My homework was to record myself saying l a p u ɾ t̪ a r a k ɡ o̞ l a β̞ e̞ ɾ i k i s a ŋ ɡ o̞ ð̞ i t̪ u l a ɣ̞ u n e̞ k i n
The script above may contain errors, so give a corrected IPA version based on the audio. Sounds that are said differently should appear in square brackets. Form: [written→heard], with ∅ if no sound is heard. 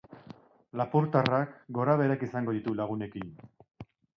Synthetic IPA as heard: l a p u ɾ t̪ a r a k ɡ o̞ [l→ɾ] a β̞ e̞ ɾ [i→a] k i s a ŋ ɡ o̞ ð̞ i t̪ u l a ɣ̞ u n e̞ k i n